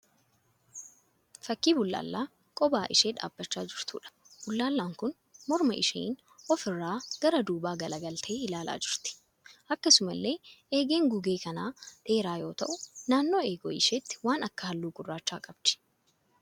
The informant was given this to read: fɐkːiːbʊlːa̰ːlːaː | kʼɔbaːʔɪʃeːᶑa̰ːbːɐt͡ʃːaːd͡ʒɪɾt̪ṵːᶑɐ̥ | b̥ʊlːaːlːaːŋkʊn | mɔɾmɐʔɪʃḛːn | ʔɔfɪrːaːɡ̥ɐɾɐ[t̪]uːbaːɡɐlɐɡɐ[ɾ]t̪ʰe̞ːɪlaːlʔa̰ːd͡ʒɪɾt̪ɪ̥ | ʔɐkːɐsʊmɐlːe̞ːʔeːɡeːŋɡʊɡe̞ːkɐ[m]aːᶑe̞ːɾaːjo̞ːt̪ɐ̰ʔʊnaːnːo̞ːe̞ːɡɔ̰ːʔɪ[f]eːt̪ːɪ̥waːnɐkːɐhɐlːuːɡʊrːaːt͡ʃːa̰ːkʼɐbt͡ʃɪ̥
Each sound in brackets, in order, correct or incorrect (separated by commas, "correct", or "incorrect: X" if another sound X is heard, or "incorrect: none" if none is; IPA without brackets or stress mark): incorrect: d̪, incorrect: l, incorrect: n, incorrect: ʃ